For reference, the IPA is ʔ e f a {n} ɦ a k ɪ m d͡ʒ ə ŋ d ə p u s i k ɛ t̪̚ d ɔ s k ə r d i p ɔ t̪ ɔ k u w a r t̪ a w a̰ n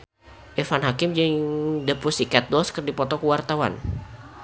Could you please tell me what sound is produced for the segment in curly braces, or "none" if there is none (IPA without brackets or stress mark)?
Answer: n